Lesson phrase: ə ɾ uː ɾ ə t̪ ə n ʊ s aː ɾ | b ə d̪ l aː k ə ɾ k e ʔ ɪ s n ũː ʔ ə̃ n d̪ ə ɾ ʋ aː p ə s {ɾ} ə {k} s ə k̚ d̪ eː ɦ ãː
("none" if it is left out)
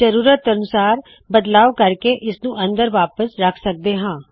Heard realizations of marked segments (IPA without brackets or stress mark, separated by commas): ɾ, kʰ